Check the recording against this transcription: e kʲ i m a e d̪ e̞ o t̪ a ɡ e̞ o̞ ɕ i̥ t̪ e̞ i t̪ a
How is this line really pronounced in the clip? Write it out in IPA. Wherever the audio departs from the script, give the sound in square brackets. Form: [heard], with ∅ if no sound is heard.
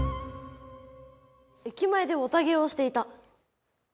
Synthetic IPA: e kʲ i m a e d̪ e̞ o t̪ a ɡ e̞ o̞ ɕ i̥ t̪ e̞ i t̪ a